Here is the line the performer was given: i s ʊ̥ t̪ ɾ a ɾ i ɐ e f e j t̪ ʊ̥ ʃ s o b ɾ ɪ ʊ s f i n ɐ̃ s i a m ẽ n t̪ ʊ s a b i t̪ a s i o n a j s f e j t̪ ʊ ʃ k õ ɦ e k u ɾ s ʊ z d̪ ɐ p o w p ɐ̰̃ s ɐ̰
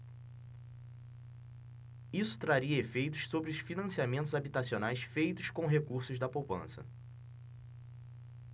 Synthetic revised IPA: i s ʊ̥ t̪ ɾ a ɾ i ɐ e f e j t̪ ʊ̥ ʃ s o b ɾ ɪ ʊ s f i n ɐ̃ s i a m ẽ n t̪ ʊ z a b i t̪ a s i o n a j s f e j t̪ ʊ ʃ k õ ɦ e k u ɾ s ʊ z d̪ ɐ p o w p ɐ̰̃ s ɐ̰

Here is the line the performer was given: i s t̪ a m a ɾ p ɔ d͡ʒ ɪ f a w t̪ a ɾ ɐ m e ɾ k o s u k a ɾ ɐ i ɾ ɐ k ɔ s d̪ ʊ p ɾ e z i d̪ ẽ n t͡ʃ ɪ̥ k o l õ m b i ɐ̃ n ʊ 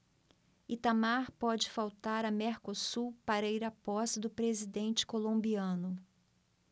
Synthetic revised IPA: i t̪ a m a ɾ p ɔ d͡ʒ ɪ f a w t̪ a ɾ ɐ m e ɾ k o s u p a ɾ ɐ i ɾ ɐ p ɔ s d̪ ʊ p ɾ e z i d̪ ẽ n t͡ʃ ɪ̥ k o l õ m b i ɐ̃ n ʊ

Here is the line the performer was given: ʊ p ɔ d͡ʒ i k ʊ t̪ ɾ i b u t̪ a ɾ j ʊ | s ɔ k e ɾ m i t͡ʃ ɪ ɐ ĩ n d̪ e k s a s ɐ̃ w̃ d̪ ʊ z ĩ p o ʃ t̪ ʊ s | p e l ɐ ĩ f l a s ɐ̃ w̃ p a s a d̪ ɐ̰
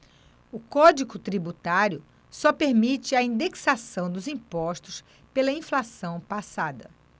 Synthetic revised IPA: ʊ k ɔ d͡ʒ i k ʊ t̪ ɾ i b u t̪ a ɾ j ʊ | s ɔ p e ɾ m i t͡ʃ ɪ ɐ ĩ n d̪ e k s a s ɐ̃ w̃ d̪ ʊ z ĩ p ɔ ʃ t̪ ʊ s | p e l ɐ ĩ f l a s ɐ̃ w̃ p a s a d̪ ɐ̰

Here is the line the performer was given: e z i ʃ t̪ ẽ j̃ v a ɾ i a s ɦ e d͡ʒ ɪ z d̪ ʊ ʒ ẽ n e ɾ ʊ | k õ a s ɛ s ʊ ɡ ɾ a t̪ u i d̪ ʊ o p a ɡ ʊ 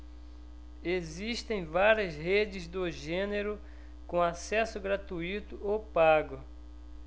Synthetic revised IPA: e z i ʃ t̪ ẽ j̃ v a ɾ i ɐ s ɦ e d͡ʒ ɪ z d̪ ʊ ʒ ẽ n e ɾ ʊ | k õ a s ɛ s ʊ ɡ ɾ a t̪ u i t̪ ʊ o p a ɡ ʊ

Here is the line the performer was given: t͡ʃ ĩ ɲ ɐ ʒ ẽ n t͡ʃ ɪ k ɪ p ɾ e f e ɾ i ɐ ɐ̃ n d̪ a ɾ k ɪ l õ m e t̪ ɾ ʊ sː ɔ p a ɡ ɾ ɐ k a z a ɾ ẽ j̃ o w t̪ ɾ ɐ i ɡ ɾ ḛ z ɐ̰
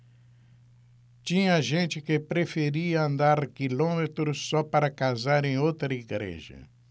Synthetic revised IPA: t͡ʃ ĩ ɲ ɐ ʒ ẽ n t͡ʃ ɪ k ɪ p ɾ e f e ɾ i ɐ ɐ̃ n d̪ a ɾ k i l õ m e t̪ ɾ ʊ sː ɔ p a ɾ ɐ k a z a ɾ ẽ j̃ o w t̪ ɾ ɐ i ɡ ɾ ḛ ʒ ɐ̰

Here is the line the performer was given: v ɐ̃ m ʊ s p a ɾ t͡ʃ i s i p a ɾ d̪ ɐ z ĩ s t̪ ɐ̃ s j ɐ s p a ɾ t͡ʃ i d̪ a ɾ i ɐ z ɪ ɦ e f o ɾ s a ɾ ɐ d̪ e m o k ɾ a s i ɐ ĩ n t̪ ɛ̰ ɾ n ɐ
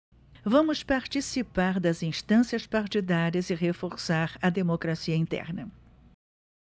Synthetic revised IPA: v ɐ̃ m ʊ s p a ɾ t͡ʃ i s i p a ɾ d̪ ɐ z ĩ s t̪ ɐ̃ s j ɐ s p a ɾ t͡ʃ i d̪ a ɾ i ɐ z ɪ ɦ e f o ɾ s a ɾ ɐ d̪ e m o k ɾ a s i ɐ ĩ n t̪ ɛ̰ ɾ n ɐ

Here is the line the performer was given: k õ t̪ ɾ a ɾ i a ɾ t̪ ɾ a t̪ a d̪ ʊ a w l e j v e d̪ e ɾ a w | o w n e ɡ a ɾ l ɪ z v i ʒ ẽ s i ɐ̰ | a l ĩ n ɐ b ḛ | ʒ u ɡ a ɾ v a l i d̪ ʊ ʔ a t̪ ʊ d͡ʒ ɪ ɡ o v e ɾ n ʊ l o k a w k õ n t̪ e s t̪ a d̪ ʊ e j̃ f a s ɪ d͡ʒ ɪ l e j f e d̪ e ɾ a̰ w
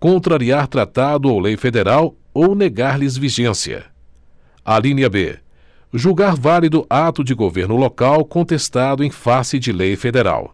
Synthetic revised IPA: k õ t̪ ɾ a ɾ i a ɾ t̪ ɾ a t̪ a d̪ ʊ a w l e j f e d̪ e ɾ a w | o w n e ɡ a ɾ l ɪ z v i ʒ ẽ s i ɐ̰ | a l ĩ n ɐ b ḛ | ʒ u ɡ a ɾ v a l i d̪ ʊ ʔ a t̪ ʊ d͡ʒ ɪ ɡ o v e ɾ n ʊ l o k a w k õ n t̪ e s t̪ a d̪ ʊ ẽ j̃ f a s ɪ d͡ʒ ɪ l e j f e d̪ e ɾ a̰ w

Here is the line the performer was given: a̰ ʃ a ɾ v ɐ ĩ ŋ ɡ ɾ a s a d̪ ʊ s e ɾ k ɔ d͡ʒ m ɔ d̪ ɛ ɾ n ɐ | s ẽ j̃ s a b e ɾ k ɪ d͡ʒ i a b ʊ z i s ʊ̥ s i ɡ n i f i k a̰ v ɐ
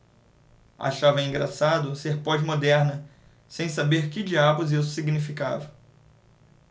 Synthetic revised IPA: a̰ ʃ a v ɐ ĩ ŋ ɡ ɾ a s a d̪ ʊ s e ɾ p ɔ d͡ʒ m o d̪ ɛ ɾ n ɐ | s ẽ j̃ s a b e ɾ k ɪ d͡ʒ i a b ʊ z i s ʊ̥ s i ɡ n i f i k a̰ v ɐ

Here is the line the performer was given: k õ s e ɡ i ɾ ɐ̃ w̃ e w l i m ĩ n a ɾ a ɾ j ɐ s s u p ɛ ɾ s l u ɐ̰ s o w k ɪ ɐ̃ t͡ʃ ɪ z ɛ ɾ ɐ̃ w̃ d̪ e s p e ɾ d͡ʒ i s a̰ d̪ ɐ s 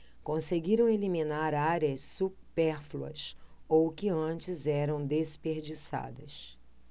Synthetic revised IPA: k õ s e ɡ i ɾ ɐ̃ w̃ e l i m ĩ n a ɾ a ɾ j ɐ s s u p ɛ ɾ f l u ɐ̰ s o w k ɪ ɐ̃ t͡ʃ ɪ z ɛ ɾ ɐ̃ w̃ d̪ e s p e ɾ d͡ʒ i s a̰ d̪ ɐ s

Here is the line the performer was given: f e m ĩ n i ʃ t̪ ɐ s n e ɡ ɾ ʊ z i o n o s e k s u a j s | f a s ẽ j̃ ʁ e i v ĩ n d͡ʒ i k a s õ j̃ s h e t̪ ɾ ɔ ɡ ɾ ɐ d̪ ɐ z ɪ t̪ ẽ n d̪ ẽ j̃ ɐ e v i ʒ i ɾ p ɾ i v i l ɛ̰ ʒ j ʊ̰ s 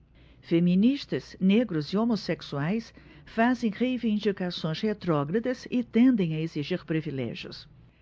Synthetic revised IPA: f e m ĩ n i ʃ t̪ ɐ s n e ɡ ɾ ʊ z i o m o s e k s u a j s | f a z ẽ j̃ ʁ e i v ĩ n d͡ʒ i k a s õ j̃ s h e t̪ ɾ ɔ ɡ ɾ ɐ d̪ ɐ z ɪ t̪ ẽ n d̪ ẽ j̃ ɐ e z i ʒ i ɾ p ɾ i v i l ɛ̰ ʒ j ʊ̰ s

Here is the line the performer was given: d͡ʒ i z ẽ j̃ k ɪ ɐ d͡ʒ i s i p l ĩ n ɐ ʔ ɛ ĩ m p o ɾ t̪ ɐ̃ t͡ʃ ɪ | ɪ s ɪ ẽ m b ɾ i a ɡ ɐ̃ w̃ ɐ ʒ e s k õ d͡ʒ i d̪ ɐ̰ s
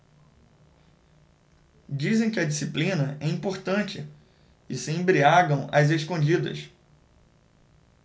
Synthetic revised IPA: d͡ʒ i z ẽ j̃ k ɪ ɐ d͡ʒ i s i p l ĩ n ɐ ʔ ɛ ĩ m p o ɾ t̪ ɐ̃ t͡ʃ ɪ | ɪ s ɪ ẽ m b ɾ i a ɡ ɐ̃ w̃ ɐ z e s k õ d͡ʒ i d̪ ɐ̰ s

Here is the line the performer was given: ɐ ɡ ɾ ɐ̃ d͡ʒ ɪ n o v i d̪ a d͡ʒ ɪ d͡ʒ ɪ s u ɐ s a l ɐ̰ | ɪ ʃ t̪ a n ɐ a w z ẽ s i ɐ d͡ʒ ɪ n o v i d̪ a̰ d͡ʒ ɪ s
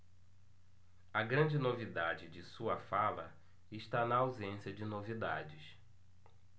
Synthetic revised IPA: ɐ ɡ ɾ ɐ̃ d͡ʒ ɪ n o v i d̪ a d͡ʒ ɪ d͡ʒ ɪ s u ɐ f a l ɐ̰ | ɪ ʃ t̪ a n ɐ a w z ẽ s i ɐ d͡ʒ ɪ n o v i d̪ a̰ d͡ʒ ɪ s

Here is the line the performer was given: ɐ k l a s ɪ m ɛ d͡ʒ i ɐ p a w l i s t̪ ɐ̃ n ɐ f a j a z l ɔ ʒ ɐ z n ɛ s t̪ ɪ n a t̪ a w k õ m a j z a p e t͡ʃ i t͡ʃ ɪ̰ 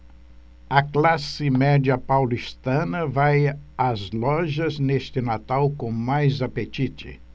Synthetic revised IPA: ɐ k l a s ɪ m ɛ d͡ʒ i ɐ p a w l i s t̪ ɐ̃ n ɐ v a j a z l ɔ ʒ ɐ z n e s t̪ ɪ n a t̪ a w k õ m a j z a p e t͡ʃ i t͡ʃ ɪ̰

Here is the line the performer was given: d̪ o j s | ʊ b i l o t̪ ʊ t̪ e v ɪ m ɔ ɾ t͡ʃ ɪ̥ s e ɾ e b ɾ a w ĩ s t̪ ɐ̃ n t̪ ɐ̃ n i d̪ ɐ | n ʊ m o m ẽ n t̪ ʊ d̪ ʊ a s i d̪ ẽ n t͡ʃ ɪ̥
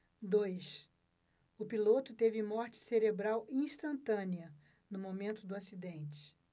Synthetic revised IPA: d̪ o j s | ʊ p i l o t̪ ʊ t̪ e v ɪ m ɔ ɾ t͡ʃ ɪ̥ s e ɾ e b ɾ a w ĩ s t̪ ɐ̃ n t̪ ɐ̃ n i ɐ | n ʊ m o m ẽ n t̪ ʊ d̪ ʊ a s i d̪ ẽ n t͡ʃ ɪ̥

